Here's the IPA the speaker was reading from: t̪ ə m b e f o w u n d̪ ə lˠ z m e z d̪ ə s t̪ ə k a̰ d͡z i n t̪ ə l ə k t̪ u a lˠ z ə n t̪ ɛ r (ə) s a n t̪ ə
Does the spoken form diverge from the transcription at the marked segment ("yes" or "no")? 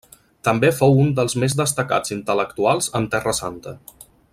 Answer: no